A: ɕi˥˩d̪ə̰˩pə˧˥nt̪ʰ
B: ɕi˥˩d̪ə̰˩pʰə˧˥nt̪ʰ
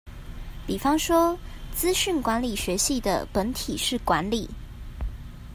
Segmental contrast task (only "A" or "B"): A